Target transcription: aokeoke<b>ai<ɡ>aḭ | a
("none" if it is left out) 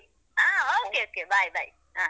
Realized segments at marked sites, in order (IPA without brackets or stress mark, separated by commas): b, b